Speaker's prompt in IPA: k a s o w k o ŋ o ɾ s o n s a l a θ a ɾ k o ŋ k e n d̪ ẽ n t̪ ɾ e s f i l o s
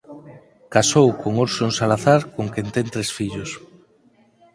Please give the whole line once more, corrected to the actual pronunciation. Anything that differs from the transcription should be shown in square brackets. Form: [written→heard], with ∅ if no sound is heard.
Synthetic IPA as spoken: k a s o w k o ŋ o ɾ s o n s a l a θ a ɾ k o ŋ k e n [d̪→t̪] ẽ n t̪ ɾ e s f i [l→ʎ] o s